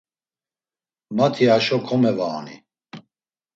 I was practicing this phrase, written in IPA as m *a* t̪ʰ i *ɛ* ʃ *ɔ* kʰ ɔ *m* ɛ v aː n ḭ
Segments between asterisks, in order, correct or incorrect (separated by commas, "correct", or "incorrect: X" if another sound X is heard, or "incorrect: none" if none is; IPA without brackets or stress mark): correct, incorrect: a, correct, correct